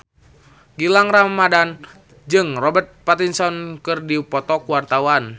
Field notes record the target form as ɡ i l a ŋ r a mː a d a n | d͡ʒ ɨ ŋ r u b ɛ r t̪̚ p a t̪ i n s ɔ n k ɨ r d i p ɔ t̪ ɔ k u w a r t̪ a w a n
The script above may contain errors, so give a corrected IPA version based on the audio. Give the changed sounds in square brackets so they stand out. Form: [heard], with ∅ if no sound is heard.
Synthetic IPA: ɡ i l a ŋ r a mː a d a n | d͡ʒ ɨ ŋ r [ɔ] b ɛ r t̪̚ p a t̪ i n s ɔ n k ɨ r d i p ɔ t̪ ɔ k u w a r t̪ a w a n